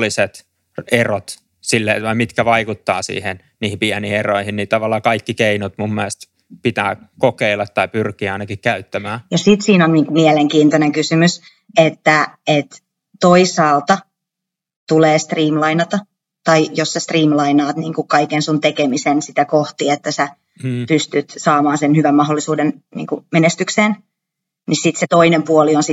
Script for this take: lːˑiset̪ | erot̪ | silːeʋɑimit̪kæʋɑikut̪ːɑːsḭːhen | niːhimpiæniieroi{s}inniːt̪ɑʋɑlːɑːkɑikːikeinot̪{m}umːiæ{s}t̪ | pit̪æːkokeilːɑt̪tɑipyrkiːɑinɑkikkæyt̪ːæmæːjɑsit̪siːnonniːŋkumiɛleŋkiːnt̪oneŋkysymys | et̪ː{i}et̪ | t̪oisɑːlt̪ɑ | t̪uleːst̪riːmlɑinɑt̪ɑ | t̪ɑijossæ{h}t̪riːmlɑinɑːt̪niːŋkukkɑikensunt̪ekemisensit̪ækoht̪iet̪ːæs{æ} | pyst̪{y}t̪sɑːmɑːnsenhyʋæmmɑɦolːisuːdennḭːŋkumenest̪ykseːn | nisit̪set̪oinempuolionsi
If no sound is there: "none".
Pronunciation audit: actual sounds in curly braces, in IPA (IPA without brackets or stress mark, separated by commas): h, m, s, æ, s, æ, y